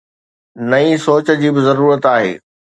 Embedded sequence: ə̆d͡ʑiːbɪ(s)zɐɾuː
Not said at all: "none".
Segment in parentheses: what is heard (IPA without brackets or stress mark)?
none